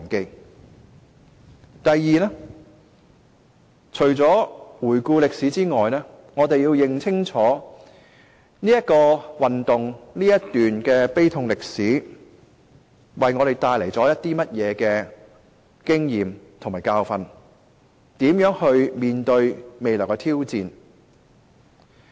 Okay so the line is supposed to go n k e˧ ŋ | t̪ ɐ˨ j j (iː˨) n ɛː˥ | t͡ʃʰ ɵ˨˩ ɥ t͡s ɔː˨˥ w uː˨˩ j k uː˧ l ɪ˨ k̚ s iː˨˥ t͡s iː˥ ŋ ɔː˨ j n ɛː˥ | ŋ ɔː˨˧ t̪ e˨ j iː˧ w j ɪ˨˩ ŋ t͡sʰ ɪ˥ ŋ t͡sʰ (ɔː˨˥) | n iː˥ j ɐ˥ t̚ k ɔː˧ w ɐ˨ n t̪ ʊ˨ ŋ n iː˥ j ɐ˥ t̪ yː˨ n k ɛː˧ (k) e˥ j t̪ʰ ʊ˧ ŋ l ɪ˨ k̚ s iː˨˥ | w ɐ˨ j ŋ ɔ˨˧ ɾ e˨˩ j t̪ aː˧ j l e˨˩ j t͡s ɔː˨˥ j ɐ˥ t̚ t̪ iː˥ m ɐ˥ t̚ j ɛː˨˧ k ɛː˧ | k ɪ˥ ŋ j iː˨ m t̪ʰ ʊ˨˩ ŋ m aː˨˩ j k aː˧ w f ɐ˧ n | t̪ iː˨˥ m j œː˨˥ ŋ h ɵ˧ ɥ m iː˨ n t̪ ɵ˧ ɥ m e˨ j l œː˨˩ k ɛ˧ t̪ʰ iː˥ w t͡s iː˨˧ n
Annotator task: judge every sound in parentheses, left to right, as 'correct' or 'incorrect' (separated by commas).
correct, correct, incorrect